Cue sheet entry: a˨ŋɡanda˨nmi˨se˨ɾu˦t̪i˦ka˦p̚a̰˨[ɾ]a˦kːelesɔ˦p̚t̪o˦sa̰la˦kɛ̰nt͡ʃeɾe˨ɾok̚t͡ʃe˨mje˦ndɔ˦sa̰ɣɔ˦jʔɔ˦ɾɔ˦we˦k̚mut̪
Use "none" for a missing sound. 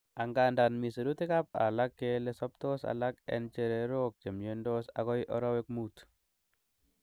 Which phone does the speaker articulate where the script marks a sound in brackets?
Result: l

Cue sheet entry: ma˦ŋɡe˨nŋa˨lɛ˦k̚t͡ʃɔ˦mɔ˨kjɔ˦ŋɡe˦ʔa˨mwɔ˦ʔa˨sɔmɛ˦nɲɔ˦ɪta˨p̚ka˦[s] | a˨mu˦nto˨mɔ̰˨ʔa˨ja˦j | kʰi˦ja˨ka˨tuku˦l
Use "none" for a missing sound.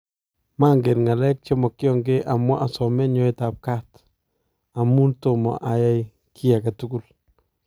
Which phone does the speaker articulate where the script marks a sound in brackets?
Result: t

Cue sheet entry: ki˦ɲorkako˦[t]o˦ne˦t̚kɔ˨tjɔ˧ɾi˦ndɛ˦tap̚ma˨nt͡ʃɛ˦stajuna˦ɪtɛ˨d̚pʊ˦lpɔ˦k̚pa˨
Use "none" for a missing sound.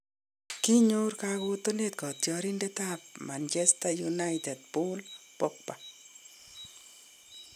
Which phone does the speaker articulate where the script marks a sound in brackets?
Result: t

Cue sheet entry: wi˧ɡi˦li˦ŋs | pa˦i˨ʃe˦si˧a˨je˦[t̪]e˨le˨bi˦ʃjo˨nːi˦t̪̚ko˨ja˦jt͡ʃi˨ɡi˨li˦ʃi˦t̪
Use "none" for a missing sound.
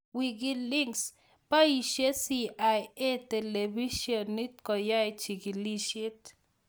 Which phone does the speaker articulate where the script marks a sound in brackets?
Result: t̪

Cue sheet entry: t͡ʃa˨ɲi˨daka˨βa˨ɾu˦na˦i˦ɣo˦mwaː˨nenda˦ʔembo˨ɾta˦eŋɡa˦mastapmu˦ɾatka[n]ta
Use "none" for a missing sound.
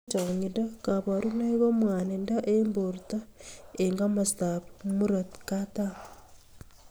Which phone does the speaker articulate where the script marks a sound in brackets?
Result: none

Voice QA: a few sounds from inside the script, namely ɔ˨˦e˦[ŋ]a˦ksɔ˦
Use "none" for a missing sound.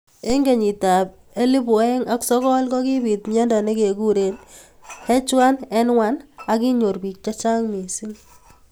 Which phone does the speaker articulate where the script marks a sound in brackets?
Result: ŋ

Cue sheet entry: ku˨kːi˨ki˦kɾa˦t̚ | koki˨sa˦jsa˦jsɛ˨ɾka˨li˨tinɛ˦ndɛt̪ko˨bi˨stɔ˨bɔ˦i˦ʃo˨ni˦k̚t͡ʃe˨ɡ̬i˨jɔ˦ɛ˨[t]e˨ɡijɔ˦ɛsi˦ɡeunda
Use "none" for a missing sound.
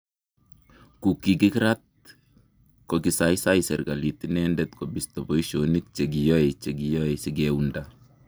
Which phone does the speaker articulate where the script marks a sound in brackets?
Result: t͡ʃ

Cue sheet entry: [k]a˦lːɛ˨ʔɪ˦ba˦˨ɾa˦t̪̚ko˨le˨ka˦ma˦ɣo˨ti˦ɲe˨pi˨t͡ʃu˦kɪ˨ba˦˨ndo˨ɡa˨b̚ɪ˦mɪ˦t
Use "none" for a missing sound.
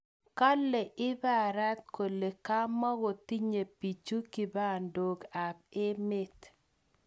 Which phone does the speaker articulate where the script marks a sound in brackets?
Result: k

